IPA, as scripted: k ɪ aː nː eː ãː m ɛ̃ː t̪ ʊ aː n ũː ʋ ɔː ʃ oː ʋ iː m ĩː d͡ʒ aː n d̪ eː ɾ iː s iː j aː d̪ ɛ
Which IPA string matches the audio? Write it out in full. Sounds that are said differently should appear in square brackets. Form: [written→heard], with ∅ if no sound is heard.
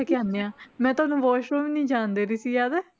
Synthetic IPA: k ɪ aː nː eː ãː m ɛ̃ː t̪ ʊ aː n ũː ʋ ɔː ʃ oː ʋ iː [m→n] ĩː d͡ʒ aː n d̪ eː ɾ iː s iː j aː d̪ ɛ